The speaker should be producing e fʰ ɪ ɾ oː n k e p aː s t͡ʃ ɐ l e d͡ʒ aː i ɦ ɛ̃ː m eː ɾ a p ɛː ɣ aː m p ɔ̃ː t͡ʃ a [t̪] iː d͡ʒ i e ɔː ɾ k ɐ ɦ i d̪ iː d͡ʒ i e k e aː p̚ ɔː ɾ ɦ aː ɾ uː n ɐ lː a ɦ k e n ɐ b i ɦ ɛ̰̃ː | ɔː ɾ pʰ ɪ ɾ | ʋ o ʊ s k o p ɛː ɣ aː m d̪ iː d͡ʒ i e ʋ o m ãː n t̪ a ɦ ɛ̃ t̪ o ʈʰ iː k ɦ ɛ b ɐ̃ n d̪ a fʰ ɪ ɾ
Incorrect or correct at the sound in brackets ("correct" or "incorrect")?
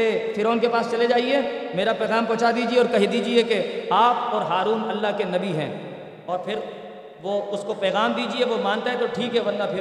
incorrect